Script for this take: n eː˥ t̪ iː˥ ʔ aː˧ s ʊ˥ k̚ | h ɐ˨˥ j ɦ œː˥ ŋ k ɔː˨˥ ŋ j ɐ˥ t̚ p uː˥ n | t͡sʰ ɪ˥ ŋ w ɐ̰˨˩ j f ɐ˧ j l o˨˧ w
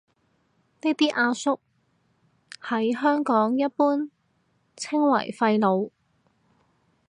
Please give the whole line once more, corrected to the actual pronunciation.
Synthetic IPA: n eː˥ t̪ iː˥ ʔ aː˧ s ʊ˥ k̚ | h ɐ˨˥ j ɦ œː˥ ŋ k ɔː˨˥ ŋ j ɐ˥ t̚ p uː˥ n | t͡sʰ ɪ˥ ŋ w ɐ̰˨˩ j f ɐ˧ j l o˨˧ w